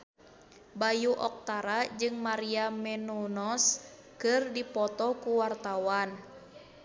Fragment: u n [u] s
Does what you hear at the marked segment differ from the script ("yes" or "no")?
yes